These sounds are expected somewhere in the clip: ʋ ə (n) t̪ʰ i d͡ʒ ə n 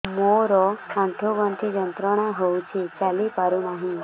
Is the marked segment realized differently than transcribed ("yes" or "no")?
no